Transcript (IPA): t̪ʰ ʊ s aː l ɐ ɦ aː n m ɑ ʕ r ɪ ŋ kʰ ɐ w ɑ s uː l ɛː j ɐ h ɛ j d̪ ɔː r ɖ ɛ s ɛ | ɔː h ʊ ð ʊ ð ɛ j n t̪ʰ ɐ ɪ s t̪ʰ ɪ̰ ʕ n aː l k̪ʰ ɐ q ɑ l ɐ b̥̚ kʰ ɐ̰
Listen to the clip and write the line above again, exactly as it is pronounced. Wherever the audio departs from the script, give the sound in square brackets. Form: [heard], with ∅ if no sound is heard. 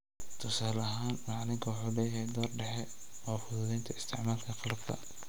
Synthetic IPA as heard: t̪ʰ ʊ s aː l ɐ ɦ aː n m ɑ ʕ [l] ɪ ŋ kʰ ɐ w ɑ [ħ] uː l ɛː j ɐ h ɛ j d̪ ɔː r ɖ ɛ [ħ] ɛ | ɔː [f] ʊ ð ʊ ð ɛ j n t̪ʰ ɐ ɪ s t̪ʰ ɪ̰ ʕ [m] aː l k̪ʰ ɐ q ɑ l ɐ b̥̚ kʰ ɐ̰